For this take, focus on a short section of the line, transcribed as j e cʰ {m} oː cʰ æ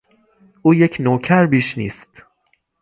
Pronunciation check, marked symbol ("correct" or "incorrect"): incorrect